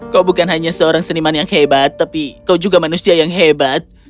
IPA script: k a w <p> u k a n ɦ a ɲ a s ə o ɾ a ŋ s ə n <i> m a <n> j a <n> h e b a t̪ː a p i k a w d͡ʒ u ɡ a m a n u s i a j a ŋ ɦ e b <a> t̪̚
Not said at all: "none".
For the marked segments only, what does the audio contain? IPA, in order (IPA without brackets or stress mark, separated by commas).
b, i, n, ŋ, a